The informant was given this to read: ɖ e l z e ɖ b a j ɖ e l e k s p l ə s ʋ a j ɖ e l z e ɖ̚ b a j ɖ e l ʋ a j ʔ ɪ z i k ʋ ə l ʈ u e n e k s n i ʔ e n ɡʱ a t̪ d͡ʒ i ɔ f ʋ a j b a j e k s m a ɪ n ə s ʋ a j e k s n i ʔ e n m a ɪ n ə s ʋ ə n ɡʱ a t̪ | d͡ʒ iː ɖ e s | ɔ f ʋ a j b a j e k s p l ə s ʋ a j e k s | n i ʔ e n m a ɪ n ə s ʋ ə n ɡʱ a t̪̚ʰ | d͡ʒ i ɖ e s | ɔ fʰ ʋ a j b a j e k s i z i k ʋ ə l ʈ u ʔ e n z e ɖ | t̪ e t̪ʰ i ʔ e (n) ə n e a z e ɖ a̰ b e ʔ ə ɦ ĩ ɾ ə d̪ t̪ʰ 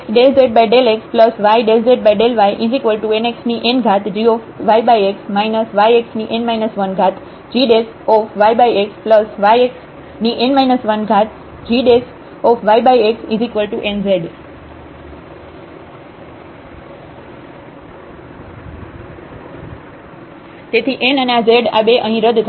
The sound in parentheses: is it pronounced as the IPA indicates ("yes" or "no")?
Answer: yes